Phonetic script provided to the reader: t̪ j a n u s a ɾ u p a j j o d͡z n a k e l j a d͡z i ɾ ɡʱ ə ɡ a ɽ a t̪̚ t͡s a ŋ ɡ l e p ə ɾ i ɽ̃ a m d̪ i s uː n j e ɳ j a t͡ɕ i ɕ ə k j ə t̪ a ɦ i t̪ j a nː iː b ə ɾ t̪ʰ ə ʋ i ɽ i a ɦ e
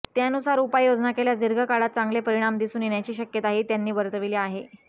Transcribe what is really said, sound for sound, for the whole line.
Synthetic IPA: t̪ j a n u s a ɾ u p a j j o d͡z n a k e l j a d͡z i ɾ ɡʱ ə k a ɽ a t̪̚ t͡s a ŋ ɡ l e p ə ɾ i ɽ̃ a m d̪ i s uː n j e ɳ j a t͡ɕ iː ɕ ə k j ə t̪ a ɦ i t̪ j a nː iː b ə ɾ t̪ ə ʋ i l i a ɦ e